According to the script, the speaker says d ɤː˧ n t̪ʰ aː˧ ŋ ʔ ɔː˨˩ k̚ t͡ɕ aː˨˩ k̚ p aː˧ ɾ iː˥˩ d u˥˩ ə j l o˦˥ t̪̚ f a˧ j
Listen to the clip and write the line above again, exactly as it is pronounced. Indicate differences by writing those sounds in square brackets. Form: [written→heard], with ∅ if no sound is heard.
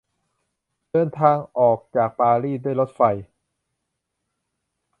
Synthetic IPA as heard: d ɤː˧ n t̪ʰ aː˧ ŋ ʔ ɔː˨˩ k̚ t͡ɕ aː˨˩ k̚ p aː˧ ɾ iː˥˩ d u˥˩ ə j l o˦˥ t̪̚ f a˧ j

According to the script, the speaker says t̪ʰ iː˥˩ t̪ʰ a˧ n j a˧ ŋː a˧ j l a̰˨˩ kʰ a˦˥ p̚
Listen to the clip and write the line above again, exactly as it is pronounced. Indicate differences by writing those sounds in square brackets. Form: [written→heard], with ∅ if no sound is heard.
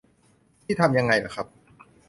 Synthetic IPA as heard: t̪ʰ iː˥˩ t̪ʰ a˧ [n→m] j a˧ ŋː a˧ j l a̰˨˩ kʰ a˦˥ p̚

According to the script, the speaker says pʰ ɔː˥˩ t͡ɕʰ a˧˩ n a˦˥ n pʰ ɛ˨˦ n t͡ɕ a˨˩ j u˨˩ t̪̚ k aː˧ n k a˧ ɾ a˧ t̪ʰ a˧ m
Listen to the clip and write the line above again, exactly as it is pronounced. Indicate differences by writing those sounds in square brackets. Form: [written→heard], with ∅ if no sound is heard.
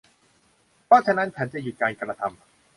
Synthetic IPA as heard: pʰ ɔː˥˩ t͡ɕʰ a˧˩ n a˦˥ n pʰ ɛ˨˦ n t͡ɕ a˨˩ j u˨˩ t̪̚ k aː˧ n k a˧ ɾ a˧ t̪ʰ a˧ m

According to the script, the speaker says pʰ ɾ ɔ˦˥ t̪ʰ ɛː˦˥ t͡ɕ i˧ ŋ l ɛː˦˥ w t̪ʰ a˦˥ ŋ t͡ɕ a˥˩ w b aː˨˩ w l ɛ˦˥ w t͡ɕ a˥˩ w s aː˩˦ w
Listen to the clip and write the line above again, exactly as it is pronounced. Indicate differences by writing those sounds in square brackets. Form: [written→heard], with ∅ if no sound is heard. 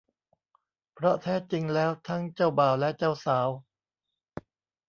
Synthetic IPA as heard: pʰ ɾ ɔ˦˥ t̪ʰ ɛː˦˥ t͡ɕ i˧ ŋ l ɛː˦˥ w t̪ʰ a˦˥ ŋ t͡ɕ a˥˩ w b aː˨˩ w l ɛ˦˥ [w→∅] t͡ɕ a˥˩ w s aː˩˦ w

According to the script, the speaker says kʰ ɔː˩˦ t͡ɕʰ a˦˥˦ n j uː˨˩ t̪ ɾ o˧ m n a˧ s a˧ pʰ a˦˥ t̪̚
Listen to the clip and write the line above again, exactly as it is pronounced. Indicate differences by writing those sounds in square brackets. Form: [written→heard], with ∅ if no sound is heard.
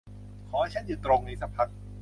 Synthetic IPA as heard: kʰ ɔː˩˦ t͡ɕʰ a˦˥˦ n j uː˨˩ t̪ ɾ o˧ [m→ŋ] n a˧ s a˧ pʰ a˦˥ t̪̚

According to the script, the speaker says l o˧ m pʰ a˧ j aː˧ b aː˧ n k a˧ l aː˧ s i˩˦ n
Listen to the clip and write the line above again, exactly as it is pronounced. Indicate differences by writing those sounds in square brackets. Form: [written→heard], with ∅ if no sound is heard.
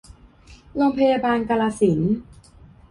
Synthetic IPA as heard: l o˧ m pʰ a˧ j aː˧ b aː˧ n k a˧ l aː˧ s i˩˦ n

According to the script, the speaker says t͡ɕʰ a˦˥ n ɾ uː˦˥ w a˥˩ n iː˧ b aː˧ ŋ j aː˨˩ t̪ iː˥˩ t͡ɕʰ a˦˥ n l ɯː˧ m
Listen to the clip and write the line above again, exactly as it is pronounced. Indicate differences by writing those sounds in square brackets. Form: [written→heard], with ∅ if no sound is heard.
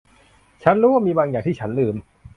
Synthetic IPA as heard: t͡ɕʰ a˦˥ n ɾ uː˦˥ w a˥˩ [n→m] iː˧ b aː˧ ŋ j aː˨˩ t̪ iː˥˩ t͡ɕʰ a˦˥ n l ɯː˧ m

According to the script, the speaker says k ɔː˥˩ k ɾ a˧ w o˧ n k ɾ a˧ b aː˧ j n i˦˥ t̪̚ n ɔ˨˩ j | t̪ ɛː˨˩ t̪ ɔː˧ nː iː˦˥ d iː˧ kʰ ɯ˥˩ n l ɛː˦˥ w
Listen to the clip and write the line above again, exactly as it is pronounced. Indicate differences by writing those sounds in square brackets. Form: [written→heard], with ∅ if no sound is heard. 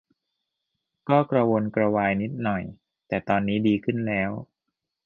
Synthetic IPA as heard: k ɔː˥˩ k ɾ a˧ w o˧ n k ɾ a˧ [b→w] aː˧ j n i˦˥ t̪̚ n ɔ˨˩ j | t̪ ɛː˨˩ t̪ ɔː˧ nː iː˦˥ d iː˧ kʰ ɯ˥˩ n l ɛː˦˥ w

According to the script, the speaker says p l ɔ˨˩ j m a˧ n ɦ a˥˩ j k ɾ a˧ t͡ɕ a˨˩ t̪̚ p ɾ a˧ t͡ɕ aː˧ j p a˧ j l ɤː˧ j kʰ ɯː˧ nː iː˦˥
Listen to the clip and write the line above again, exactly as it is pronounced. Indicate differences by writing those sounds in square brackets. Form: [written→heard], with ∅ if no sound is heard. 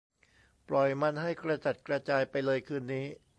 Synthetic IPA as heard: p l ɔ˨˩ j m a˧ n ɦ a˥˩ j k ɾ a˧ t͡ɕ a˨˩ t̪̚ [p→k] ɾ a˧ t͡ɕ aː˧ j p a˧ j l ɤː˧ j kʰ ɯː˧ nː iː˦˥

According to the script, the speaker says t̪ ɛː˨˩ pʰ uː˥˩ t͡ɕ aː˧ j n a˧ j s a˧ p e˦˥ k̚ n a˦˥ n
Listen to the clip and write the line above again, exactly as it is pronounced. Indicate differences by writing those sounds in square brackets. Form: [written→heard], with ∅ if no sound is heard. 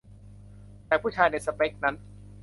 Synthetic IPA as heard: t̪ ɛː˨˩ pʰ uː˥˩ [t͡ɕ→t͡ɕʰ] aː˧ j n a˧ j s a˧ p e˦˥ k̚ n a˦˥ n

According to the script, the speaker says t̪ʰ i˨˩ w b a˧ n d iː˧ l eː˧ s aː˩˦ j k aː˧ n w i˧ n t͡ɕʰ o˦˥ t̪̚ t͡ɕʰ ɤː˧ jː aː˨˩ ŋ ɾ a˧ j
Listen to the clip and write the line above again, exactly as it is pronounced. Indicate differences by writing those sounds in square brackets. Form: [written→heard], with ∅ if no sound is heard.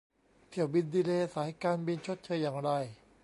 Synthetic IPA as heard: t̪ʰ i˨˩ w b [a˧→i˧] n d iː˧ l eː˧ s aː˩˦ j k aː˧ n [w→b] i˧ n t͡ɕʰ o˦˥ t̪̚ t͡ɕʰ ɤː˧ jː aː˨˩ ŋ ɾ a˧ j

